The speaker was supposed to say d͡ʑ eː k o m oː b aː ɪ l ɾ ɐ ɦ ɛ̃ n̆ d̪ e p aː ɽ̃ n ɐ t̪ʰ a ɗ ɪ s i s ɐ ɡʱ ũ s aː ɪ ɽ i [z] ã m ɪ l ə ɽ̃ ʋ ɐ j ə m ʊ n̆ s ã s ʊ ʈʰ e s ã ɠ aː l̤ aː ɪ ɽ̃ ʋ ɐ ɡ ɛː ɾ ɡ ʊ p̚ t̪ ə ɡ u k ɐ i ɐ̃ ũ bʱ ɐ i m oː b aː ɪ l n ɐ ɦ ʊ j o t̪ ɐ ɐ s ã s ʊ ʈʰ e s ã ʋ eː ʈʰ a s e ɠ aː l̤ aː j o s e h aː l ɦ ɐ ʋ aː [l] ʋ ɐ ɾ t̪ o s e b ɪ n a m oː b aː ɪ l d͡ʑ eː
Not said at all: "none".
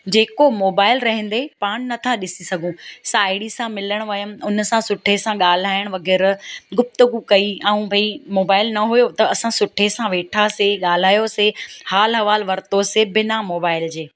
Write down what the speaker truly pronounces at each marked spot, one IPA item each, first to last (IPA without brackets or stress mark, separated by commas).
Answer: s, l